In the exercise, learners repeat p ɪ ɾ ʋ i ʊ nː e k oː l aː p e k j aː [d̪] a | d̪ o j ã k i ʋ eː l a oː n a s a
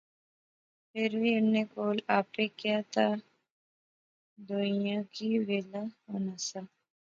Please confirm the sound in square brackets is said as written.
no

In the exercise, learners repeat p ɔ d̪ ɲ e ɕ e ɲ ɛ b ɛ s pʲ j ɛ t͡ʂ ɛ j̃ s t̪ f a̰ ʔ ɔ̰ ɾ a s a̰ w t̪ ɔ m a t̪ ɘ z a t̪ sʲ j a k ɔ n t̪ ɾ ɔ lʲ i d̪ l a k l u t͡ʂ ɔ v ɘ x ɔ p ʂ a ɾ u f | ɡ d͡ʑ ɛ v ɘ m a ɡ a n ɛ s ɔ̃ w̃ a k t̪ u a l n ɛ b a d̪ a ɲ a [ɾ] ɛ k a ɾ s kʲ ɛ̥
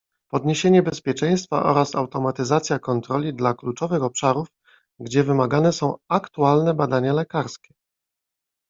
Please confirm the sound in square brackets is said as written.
no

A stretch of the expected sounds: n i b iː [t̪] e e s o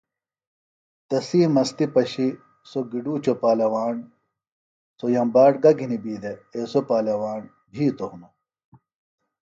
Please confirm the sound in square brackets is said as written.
no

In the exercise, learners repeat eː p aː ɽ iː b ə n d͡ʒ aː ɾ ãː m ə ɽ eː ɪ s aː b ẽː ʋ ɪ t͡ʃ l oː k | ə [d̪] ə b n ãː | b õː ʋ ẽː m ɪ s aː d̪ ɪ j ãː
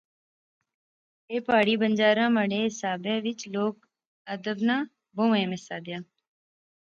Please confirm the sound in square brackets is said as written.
yes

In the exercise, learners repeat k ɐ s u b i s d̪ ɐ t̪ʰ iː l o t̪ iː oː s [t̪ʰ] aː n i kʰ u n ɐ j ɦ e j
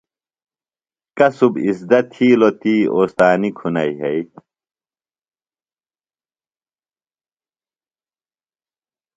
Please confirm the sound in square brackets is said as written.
no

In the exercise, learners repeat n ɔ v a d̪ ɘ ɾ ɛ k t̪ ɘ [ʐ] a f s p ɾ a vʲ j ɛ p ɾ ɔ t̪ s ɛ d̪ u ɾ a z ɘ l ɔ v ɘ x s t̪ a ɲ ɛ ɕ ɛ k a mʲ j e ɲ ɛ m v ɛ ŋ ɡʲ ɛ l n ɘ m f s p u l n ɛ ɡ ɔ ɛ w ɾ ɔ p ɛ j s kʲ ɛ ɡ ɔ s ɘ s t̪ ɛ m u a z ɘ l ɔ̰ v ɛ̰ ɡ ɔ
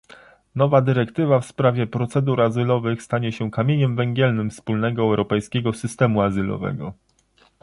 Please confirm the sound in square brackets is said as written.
no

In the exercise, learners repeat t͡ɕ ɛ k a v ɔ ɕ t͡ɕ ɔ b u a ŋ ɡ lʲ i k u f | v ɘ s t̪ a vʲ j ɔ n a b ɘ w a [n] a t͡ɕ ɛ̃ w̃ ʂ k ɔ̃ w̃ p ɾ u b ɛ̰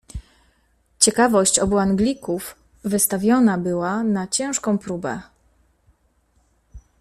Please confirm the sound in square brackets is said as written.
yes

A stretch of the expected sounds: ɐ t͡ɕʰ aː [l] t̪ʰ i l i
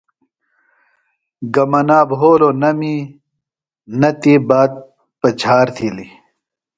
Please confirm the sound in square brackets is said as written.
no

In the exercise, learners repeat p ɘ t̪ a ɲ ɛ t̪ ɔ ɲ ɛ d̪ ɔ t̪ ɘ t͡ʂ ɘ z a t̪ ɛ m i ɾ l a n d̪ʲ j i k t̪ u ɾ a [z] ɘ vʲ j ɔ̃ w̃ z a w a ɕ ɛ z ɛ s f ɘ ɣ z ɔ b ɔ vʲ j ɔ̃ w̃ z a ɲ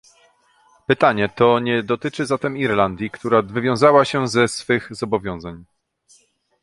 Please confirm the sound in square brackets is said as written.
no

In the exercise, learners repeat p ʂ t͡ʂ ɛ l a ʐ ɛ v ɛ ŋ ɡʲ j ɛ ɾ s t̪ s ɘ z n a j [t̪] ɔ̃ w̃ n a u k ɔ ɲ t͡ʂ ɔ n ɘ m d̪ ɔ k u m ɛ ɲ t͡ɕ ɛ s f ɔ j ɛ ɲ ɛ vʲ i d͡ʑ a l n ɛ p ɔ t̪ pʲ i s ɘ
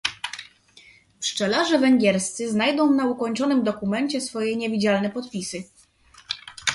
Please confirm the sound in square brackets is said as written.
no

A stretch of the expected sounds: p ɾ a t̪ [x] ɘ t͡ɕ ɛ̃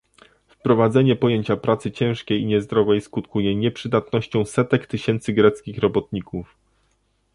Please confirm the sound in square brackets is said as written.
no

